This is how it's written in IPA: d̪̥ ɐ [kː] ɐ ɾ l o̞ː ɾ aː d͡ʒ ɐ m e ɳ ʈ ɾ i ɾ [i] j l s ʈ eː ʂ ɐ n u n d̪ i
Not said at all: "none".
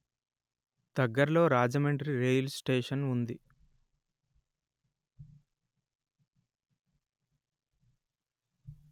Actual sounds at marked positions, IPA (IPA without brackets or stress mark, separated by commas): ɡː, e